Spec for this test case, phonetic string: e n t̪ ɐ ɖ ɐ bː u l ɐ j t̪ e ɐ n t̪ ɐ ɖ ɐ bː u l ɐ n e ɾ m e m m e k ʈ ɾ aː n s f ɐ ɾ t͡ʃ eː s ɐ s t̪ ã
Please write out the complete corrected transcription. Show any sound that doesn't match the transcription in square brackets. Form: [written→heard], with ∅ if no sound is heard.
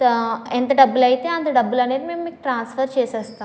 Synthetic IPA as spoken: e n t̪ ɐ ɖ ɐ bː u l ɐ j t̪ e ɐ n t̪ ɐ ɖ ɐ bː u l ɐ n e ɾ m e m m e k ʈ ɾ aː n s f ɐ ɾ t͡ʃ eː s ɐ s t̪ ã